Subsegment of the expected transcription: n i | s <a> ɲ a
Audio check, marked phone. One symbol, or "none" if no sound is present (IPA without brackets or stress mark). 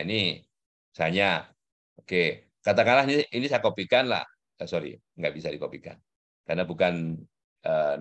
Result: a